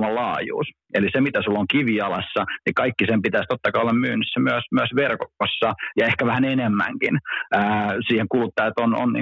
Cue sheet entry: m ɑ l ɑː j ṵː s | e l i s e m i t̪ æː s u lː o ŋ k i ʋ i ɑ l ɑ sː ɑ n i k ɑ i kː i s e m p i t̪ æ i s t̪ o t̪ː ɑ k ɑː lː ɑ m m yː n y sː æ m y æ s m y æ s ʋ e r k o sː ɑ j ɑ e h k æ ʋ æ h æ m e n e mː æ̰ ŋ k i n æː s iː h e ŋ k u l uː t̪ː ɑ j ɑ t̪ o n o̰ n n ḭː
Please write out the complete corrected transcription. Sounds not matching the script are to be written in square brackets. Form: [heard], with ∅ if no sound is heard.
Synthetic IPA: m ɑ l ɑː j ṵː s | e l i s e m i t̪ [æ] s u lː o ŋ k i ʋ i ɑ l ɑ sː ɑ n i k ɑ i kː i s e m p i t̪ æ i s t̪ o t̪ː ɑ k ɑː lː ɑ m m yː n y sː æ m y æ s m y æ s ʋ e r k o sː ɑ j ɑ e h k æ ʋ æ h æ [n] e n e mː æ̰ ŋ k i n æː s iː h e ŋ k u l [u] t̪ː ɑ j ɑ t̪ o n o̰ n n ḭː